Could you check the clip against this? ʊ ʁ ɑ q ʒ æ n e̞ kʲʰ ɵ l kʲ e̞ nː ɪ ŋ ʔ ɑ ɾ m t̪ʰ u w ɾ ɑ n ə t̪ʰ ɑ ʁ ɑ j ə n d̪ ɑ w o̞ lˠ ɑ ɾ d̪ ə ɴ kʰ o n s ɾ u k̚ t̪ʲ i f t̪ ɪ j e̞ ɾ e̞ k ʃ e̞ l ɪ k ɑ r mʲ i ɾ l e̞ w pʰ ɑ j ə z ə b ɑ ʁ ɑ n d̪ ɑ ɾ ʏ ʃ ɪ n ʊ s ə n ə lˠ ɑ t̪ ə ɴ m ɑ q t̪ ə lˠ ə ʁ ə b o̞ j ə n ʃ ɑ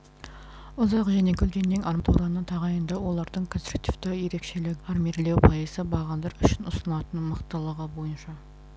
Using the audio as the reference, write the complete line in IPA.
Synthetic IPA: ʊ z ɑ q ʒ æ n e̞ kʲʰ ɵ l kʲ e̞ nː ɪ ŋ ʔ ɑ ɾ m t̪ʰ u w ɾ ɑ n ə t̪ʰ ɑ ʁ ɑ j ə n d̪ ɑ w o̞ lˠ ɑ ɾ d̪ ə ɴ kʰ o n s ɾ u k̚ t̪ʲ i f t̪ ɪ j e̞ ɾ e̞ k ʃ e̞ l ɪ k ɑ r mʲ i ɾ l e̞ w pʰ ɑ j ə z ə b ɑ ʁ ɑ n d̪ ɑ ɾ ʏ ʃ ɪ n ʊ s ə n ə lˠ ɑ t̪ ə n m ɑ q t̪ ə lˠ ə ʁ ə b o̞ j ə n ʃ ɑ